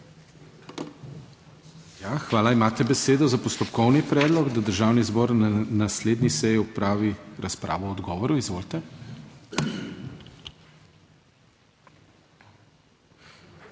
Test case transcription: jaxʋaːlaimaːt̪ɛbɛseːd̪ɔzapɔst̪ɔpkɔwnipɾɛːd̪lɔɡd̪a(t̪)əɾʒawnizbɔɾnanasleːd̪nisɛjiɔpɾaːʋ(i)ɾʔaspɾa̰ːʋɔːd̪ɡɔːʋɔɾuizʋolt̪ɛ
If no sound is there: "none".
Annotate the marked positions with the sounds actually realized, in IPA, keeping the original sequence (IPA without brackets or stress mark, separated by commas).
d̪, i